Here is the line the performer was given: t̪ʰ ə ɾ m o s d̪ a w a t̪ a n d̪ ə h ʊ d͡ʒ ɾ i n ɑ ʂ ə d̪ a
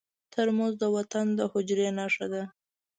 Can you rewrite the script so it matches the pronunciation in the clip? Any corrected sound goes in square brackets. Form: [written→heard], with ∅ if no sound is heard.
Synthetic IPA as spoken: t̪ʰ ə ɾ m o [s→z] d̪ [a→ə] w a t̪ a n d̪ ə h ʊ d͡ʒ ɾ [i→e] n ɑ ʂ [ə→a] d̪ a

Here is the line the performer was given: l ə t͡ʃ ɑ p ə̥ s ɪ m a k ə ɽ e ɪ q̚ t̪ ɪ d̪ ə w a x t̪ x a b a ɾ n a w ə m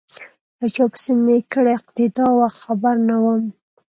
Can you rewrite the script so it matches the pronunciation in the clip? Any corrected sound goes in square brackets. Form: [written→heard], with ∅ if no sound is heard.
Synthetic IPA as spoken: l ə t͡ʃ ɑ p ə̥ s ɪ m [a→e] k ə ɽ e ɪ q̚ t̪ ɪ d̪ [ə→ɑ] w a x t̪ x a b a ɾ n a w ə m

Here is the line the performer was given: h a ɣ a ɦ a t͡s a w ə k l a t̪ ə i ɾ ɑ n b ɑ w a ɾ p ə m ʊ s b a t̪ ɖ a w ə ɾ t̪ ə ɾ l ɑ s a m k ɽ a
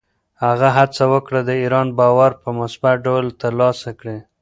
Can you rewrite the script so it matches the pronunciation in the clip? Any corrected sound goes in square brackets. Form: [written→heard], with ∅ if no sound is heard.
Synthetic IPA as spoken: h a ɣ a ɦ a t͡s a w ə k [l→ɽ] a [t̪→d̪] ə i ɾ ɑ n b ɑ w a ɾ p ə m ʊ s b a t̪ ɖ a w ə [ɾ→l] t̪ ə ɾ l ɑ s a [m→∅] k ɽ [a→e]

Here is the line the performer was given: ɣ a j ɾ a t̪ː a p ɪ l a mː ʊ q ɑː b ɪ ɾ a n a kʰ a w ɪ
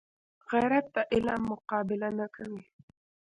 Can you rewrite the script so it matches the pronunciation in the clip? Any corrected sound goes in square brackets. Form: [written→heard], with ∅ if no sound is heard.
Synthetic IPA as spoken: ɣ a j ɾ a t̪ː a [p→ʔ] ɪ l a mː ʊ q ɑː b ɪ [ɾ→l] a n a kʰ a w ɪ

